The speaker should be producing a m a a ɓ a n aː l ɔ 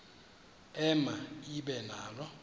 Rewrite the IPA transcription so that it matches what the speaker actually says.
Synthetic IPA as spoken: ɛ m a i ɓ ɛ n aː l ɔ